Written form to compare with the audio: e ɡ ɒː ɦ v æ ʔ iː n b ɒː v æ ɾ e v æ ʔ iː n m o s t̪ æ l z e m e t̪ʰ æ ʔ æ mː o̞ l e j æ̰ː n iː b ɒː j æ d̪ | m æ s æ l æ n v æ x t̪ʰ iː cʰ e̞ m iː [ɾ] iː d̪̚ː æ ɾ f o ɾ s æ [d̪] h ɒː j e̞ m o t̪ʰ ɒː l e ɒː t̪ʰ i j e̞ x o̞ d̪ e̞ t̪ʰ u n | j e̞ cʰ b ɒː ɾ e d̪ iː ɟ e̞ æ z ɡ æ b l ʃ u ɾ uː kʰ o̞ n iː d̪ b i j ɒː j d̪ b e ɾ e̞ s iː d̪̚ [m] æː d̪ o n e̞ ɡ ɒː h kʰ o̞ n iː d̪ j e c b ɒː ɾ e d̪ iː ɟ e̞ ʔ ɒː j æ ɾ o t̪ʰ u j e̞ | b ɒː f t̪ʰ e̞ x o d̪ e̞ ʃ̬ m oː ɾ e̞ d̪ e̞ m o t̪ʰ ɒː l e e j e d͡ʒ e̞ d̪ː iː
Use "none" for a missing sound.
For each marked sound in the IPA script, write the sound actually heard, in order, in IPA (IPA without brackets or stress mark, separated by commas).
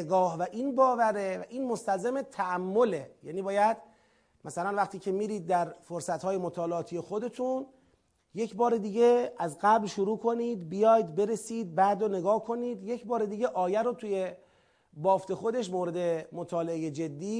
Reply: ɾ, t̪, b